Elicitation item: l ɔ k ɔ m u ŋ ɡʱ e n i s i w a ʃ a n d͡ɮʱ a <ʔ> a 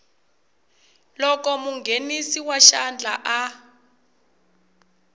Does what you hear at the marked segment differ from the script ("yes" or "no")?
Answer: no